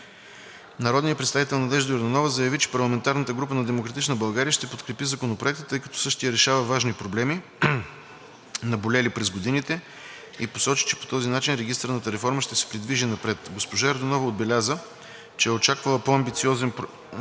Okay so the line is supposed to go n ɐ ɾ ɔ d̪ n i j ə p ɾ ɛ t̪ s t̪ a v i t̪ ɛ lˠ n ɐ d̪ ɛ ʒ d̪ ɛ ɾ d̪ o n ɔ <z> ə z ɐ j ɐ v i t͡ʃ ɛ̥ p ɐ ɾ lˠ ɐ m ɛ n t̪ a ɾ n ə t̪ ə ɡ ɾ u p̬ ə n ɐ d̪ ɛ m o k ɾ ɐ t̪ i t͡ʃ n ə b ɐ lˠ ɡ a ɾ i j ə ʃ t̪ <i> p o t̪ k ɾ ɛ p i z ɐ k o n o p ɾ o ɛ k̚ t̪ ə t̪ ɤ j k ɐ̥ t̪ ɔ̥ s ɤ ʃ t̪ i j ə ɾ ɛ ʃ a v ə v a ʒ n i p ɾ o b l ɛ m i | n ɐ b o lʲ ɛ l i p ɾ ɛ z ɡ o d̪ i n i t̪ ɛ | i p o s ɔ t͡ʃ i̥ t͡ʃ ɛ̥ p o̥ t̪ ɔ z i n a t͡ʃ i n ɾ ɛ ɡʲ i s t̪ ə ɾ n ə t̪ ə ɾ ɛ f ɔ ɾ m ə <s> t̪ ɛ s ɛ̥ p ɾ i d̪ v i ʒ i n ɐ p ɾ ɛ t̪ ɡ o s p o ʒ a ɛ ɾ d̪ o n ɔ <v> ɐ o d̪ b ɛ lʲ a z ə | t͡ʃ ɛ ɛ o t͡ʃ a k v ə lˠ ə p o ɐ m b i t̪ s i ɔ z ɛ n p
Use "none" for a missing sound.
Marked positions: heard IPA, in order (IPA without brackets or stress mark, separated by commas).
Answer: v, ɛ, ʃ, v